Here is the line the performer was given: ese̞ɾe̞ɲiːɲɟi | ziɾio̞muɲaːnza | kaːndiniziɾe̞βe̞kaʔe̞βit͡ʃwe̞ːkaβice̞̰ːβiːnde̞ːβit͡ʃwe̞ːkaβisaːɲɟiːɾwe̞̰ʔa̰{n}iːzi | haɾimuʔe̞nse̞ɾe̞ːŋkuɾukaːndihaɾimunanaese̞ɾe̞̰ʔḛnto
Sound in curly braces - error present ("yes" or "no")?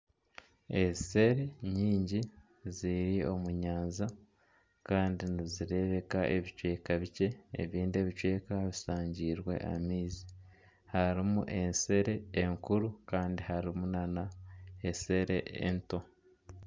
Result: yes